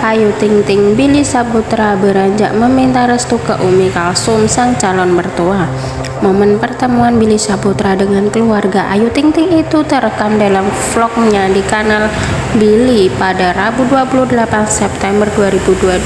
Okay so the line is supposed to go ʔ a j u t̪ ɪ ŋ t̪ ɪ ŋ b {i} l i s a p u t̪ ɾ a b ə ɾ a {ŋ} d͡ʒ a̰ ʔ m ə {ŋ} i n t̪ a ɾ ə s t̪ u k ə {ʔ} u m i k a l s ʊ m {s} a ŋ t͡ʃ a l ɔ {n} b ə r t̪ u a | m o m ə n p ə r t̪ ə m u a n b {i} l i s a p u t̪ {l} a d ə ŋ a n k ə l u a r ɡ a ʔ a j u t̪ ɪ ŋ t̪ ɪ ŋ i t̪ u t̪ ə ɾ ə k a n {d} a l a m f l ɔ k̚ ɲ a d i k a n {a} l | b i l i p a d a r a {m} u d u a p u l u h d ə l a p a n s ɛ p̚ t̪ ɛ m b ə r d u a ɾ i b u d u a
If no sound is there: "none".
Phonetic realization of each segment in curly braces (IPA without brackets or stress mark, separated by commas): i, ɲ, m, ʔ, s, n, i, ɾ, d, a, b